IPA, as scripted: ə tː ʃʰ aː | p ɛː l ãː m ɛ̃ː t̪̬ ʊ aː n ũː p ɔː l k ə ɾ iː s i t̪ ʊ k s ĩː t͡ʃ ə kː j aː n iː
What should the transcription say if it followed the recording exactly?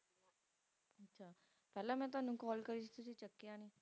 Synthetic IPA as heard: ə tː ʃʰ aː | p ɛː l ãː m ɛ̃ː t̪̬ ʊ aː n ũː k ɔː l k ə ɾ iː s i t̪ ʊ s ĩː t͡ʃ ə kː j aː n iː